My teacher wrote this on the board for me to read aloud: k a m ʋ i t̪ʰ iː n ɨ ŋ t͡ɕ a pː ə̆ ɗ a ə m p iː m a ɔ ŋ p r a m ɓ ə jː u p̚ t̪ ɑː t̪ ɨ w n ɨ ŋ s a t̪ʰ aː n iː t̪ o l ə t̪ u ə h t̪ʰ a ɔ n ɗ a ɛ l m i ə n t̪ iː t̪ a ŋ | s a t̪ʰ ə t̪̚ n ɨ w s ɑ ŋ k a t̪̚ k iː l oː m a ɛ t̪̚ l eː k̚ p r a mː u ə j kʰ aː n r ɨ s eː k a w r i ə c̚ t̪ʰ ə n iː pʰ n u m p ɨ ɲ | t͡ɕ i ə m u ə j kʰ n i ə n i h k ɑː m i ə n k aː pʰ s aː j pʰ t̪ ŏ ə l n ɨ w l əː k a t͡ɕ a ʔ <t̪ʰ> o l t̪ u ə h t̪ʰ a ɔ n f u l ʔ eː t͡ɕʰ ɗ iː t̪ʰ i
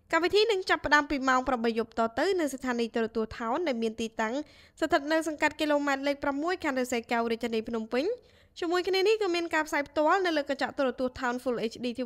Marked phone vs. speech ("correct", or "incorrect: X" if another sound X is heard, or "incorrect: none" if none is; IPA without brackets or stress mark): incorrect: t̪